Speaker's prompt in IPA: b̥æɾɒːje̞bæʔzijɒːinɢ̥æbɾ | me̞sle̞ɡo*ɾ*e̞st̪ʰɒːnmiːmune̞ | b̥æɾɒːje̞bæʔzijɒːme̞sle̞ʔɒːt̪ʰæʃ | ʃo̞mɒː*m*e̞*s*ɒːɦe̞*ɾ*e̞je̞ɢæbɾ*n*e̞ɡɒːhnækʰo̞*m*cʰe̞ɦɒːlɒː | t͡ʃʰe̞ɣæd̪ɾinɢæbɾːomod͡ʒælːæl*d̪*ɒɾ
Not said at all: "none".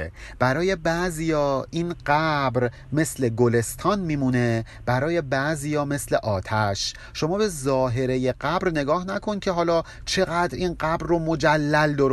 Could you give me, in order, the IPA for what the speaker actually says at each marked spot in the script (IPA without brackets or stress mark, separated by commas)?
l, b, z, ɾ, n, n, d̪